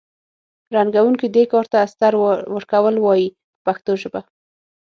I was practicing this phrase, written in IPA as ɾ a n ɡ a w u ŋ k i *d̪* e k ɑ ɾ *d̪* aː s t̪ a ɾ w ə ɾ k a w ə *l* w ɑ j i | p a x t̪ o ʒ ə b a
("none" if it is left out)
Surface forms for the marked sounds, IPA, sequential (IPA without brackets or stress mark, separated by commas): d̪, t̪, l